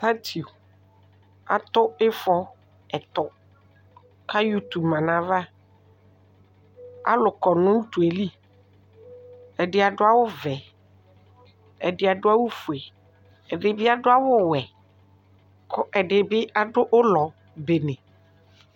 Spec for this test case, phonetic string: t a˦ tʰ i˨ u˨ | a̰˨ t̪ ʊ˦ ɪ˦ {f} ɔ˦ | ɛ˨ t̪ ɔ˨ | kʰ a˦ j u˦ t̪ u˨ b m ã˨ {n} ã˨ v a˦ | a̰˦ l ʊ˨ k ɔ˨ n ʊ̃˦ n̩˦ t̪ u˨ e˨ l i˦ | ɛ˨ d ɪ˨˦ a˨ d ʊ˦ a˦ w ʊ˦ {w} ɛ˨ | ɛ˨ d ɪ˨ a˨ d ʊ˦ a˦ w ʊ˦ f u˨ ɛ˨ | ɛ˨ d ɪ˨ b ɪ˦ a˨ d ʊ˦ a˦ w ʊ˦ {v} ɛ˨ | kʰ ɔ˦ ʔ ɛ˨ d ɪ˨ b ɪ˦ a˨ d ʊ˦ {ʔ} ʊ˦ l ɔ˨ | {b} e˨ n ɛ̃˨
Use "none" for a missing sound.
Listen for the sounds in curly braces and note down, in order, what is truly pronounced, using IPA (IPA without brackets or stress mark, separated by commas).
f, n, v, w, ʔ, b